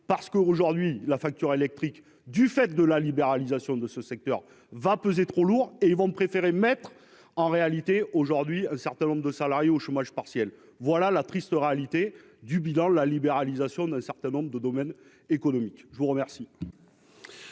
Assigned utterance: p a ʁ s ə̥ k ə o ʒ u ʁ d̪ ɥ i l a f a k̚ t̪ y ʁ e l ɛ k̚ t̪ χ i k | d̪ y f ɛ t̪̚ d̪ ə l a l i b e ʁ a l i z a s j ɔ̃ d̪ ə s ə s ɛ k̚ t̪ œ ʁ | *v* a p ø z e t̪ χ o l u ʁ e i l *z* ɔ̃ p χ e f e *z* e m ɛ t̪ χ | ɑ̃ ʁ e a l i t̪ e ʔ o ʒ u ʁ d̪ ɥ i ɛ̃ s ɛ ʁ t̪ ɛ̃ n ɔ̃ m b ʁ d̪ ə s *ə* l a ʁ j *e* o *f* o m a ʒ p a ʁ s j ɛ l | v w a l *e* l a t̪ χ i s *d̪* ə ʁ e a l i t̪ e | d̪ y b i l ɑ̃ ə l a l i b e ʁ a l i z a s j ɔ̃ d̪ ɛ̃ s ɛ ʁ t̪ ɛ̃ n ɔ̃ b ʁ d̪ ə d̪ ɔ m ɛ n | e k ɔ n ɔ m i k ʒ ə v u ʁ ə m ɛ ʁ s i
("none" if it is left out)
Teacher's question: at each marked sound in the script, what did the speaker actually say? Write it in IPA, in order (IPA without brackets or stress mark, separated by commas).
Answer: v, v, ʁ, a, e, ʃ, a, t̪